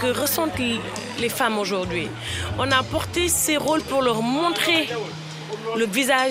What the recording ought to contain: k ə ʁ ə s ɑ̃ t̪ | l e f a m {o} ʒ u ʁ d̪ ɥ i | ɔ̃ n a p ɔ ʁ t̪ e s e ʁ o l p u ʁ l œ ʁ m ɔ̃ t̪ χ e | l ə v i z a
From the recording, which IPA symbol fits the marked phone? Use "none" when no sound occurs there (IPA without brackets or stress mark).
o